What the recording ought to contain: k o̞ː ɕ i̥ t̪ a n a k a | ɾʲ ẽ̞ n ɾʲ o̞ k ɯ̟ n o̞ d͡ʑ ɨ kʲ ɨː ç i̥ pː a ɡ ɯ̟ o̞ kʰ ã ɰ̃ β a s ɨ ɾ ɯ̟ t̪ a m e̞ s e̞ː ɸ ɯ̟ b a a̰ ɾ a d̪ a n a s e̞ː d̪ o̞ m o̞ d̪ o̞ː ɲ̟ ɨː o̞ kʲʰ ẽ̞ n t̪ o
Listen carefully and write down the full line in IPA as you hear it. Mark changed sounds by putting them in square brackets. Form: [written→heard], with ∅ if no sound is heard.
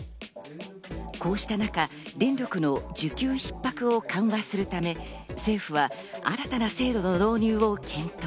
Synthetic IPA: k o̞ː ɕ i̥ t̪ a n a k a | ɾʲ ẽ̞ n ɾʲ o̞ k ɯ̟ n o̞ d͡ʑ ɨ kʲ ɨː ç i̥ pː a [ɡ→k] ɯ̟ o̞ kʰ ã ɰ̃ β a s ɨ ɾ ɯ̟ t̪ a m e̞ s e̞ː ɸ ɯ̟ [b→β] a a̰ ɾ a [d̪→t̪] a n a s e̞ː d̪ o̞ [m→n] o̞ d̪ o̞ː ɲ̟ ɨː o̞ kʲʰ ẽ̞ n t̪ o